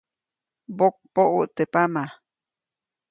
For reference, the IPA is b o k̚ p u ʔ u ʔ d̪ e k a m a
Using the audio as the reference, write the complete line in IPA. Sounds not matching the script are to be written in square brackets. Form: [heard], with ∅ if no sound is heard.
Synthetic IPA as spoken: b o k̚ p [o] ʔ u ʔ [t̪] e [p] a m a